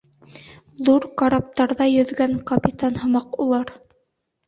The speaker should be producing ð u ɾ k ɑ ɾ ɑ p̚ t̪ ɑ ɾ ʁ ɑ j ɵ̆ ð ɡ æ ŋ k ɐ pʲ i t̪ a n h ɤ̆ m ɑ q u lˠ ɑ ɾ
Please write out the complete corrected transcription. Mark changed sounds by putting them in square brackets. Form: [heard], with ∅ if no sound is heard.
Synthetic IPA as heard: ð u ɾ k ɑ ɾ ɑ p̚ t̪ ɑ ɾ [ð] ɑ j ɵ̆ ð ɡ æ ŋ k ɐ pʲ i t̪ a n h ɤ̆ m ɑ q u lˠ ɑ ɾ